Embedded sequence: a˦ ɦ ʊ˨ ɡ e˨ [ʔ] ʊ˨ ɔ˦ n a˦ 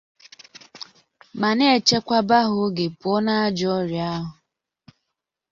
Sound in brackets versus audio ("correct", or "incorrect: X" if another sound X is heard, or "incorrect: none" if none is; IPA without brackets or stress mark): incorrect: p